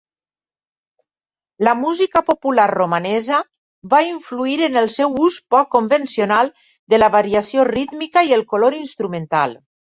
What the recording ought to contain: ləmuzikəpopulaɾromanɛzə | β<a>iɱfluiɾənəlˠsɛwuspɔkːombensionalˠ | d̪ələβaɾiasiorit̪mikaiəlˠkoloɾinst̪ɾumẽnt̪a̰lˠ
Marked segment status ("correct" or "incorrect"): correct